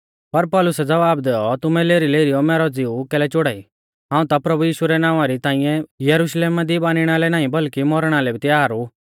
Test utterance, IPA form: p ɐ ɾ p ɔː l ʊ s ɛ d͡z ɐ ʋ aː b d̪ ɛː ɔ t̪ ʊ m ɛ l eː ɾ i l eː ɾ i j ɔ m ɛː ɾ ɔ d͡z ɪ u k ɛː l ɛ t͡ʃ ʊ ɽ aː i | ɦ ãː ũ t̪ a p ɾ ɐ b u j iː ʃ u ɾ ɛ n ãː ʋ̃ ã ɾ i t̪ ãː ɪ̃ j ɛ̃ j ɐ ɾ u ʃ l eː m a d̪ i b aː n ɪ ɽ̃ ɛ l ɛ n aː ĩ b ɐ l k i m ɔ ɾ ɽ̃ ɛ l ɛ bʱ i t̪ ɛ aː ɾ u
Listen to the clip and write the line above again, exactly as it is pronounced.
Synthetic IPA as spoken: p ɐ ɾ p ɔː l ʊ s ɛ d͡z ɐ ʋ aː b d̪ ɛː ɔ t̪ ʊ m ɛ l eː ɾ i l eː ɾ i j ɔ m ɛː ɾ ɔ d͡z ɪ u k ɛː l ɛ t͡ʃ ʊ ɽ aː i | ɦ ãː ũ t̪ a p ɾ ɐ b u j iː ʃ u ɾ ɛ n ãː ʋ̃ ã ɾ i t̪ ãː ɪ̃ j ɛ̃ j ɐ ɾ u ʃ l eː m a d̪ i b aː n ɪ ɽ̃ a l ɛ n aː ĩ b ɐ l k i m ɔ ɾ ɽ̃ a l ɛ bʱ i t̪ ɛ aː ɾ u